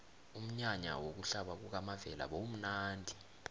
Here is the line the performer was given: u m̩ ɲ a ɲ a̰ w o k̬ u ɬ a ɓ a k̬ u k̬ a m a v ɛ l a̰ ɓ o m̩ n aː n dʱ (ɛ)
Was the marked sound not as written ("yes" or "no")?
yes